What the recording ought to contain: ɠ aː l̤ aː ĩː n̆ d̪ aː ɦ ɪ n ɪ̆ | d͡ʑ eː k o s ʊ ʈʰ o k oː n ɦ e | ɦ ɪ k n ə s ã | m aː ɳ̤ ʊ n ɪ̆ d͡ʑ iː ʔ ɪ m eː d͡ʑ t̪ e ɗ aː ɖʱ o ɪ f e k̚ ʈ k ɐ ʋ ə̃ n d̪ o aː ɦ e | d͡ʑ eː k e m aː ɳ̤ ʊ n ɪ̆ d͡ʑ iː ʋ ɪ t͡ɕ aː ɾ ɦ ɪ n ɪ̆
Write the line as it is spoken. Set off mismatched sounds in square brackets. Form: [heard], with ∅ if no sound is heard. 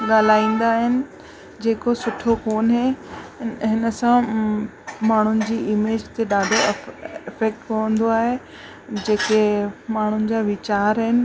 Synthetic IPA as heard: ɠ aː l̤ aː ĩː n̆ d̪ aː ɦ ɪ n ɪ̆ | d͡ʑ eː k o s ʊ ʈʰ o k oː n ɦ e | ɦ ɪ [∅] n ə s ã | m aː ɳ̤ ʊ n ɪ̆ d͡ʑ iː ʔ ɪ m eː d͡ʑ t̪ e ɗ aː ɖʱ o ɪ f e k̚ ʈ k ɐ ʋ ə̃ n d̪ o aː ɦ e | d͡ʑ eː k e m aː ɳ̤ ʊ n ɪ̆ d͡ʑ [aː] ʋ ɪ t͡ɕ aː ɾ ɦ ɪ n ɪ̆